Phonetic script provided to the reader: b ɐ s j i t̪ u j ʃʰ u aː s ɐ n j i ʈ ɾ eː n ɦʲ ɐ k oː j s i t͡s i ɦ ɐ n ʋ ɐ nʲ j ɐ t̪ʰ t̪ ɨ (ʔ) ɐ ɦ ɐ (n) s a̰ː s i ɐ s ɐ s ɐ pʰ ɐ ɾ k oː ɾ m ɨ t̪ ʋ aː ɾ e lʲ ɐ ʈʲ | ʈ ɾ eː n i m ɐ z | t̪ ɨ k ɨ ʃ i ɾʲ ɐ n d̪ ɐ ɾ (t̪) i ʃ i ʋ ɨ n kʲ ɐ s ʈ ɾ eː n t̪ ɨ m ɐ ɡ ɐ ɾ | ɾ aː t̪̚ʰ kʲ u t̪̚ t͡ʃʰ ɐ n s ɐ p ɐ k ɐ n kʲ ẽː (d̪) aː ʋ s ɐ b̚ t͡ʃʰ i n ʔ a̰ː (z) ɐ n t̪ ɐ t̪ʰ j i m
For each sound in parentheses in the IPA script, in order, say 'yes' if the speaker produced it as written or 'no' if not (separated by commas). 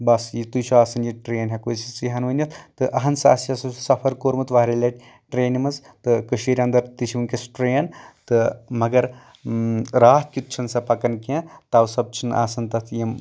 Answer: yes, yes, yes, no, no